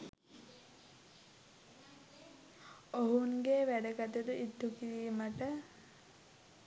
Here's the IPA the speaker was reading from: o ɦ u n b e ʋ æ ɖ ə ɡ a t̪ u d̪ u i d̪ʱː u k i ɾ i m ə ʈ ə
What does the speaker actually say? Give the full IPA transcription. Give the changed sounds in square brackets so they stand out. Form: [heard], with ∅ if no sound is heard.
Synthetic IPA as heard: o ɦ u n [ɡ] e ʋ æ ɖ ə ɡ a t̪ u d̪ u i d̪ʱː u k i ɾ [iː] m ə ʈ ə

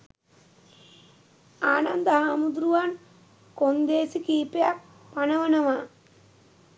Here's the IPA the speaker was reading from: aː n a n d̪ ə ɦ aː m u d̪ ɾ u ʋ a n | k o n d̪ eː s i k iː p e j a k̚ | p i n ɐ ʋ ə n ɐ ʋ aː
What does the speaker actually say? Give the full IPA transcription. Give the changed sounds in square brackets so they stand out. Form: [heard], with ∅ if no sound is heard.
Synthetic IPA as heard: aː n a n d̪ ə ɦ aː m u d̪ ɾ u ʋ a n | k o n d̪ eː s i k iː p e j a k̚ | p [a] n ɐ ʋ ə n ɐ ʋ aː

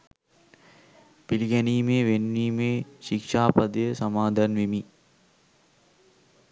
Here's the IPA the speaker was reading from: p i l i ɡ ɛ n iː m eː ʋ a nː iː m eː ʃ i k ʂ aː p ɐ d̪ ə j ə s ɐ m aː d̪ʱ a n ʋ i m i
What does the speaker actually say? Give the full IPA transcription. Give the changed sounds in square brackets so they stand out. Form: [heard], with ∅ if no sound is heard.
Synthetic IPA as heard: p i l i ɡ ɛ n iː m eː ʋ [e] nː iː m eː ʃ i k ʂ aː p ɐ d̪ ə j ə s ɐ m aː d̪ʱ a n ʋ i m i

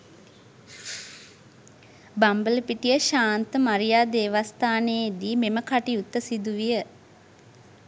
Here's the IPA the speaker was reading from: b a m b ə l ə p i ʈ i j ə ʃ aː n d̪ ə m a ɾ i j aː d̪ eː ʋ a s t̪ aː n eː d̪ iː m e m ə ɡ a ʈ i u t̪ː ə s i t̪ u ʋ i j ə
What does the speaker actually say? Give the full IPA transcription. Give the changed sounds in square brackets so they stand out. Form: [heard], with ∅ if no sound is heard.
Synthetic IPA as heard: b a m b ə l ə p i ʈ i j ə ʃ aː n [t̪] ə m a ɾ i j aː d̪ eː ʋ a s t̪ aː n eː d̪ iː m e m ə [k] a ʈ i u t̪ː ə s i [d̪] u ʋ i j ə

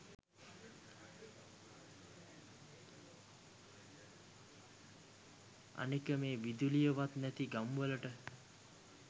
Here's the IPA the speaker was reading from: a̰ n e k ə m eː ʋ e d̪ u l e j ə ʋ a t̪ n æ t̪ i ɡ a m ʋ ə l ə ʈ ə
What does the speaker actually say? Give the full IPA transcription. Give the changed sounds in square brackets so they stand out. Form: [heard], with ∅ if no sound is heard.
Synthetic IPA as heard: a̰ n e k ə m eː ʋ [i] d̪ u l [i] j ə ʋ a t̪ n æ t̪ i ɡ a m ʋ ə l ə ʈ ə

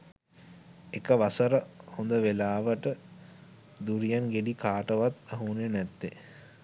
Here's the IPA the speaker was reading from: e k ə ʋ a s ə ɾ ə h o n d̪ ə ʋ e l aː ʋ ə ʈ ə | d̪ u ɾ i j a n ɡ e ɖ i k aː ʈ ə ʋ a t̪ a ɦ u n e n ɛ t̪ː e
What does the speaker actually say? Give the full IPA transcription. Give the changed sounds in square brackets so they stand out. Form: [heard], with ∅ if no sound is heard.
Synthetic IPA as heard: e k ə ʋ a s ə ɾ ə h o n d̪ ə ʋ e l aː ʋ ə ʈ ə | d̪ u ɾ i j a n ɡ e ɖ i k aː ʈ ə ʋ a t̪ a ɦ u n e n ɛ t̪ː e

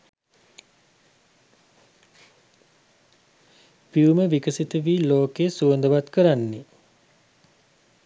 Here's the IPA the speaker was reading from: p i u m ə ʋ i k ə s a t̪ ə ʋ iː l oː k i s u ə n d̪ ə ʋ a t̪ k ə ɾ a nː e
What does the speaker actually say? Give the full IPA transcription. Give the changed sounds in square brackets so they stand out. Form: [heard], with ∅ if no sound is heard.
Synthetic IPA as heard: p i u m ə ʋ i k ə s [i] t̪ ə ʋ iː l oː k [e] s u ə n d̪ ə ʋ a t̪ k ə ɾ a nː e

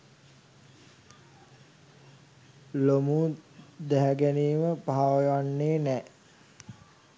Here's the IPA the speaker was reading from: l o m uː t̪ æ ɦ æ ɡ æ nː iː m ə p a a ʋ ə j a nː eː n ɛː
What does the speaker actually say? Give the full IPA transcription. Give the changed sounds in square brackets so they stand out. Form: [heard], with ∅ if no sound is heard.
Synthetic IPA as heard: l o m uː [d̪] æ ɦ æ ɡ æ [n] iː m ə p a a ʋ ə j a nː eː n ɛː

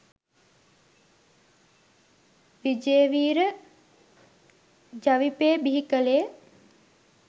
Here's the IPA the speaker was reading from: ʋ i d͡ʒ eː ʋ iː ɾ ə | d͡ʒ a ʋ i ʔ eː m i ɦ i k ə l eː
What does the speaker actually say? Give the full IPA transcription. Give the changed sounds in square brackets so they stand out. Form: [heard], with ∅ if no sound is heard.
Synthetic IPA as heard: ʋ i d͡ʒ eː ʋ iː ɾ ə | d͡ʒ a ʋ i [p] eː [b] i ɦ i k ə l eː

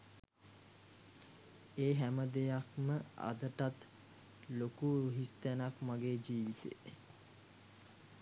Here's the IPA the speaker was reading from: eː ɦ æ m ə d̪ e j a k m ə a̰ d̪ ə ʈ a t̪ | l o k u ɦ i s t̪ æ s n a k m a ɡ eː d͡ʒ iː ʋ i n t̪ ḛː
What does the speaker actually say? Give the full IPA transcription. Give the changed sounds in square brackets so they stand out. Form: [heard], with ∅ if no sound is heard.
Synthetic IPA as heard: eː ɦ æ m ə d̪ e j a k m ə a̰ d̪ ə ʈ a t̪ | l o k u ɦ i s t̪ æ [∅] n a k m a ɡ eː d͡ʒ iː ʋ i [∅] t̪ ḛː

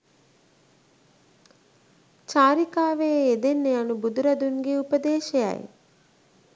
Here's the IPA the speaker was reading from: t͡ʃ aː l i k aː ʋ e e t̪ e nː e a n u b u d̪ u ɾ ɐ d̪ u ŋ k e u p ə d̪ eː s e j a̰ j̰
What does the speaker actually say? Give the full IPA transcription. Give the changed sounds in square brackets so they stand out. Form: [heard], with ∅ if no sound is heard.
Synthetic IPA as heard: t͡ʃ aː [ɾ] i k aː ʋ e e [d̪] e nː e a n u b u d̪ u ɾ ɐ d̪ u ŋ [ɡ] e u p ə d̪ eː [ʃ] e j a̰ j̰

